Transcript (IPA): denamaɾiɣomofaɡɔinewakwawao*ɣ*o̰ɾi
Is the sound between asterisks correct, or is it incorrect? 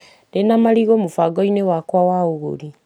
correct